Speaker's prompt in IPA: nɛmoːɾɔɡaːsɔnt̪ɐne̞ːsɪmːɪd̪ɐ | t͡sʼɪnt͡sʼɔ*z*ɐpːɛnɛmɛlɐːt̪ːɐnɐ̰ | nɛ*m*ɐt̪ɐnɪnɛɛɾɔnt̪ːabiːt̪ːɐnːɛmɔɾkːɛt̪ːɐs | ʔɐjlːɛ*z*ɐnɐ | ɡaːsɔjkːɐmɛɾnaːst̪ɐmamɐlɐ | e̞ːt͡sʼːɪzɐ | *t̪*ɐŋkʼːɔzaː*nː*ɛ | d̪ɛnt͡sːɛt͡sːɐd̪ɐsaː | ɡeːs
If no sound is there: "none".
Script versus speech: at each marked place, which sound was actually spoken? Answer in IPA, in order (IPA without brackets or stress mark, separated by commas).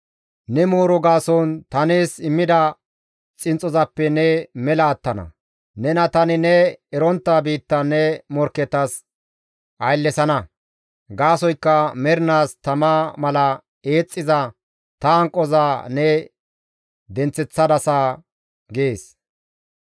z, n, s, t̪, n